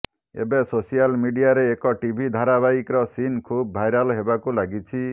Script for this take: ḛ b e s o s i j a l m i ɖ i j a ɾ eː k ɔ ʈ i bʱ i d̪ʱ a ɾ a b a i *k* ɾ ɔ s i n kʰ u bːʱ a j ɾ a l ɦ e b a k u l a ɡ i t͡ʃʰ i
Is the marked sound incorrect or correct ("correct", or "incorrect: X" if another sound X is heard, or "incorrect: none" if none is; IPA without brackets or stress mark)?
correct